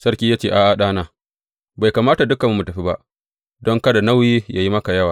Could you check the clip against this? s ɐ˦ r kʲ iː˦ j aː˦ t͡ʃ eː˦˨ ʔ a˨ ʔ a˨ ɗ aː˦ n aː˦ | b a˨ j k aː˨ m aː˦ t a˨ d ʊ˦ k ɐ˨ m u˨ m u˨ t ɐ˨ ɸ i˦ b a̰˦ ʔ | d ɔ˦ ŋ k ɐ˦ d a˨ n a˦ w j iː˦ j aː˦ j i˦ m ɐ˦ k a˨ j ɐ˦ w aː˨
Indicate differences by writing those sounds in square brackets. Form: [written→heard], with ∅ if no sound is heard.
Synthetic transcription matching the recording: s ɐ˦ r kʲ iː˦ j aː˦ t͡ʃ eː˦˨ ʔ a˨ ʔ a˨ ɗ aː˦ n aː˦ | b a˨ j k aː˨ m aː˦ t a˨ d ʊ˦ k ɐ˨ m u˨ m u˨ t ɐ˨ ɸ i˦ b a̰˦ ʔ | d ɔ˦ ŋ k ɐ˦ d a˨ n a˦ w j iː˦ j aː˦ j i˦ m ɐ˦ k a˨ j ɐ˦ w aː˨